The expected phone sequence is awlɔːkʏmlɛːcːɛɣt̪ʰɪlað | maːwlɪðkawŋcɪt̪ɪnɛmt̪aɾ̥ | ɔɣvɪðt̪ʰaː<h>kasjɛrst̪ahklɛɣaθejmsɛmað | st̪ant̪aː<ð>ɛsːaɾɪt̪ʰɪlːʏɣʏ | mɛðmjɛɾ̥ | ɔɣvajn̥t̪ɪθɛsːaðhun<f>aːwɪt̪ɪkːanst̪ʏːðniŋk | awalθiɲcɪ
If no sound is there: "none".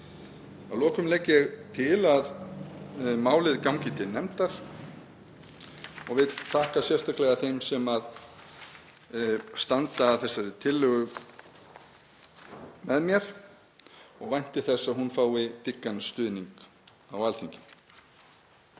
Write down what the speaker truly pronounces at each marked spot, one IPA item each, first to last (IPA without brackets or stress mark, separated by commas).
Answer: h, θ, f